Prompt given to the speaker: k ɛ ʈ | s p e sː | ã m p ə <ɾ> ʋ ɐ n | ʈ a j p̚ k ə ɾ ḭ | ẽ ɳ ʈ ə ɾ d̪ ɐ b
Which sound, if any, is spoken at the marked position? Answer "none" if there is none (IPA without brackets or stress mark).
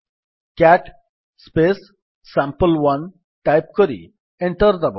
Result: l